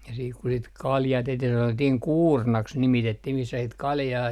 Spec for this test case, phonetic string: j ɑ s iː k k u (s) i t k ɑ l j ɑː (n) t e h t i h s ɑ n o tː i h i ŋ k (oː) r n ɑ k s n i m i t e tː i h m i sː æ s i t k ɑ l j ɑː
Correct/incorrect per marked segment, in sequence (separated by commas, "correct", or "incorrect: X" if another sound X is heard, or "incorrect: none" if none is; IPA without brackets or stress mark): correct, incorrect: none, incorrect: uː